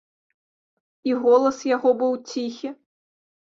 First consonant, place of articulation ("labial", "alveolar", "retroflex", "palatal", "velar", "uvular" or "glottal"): velar